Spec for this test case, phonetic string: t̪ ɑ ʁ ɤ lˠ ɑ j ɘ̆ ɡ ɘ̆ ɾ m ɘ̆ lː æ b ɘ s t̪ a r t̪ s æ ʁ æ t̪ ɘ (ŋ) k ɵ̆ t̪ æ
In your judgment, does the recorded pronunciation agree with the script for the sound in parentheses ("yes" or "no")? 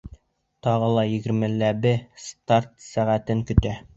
yes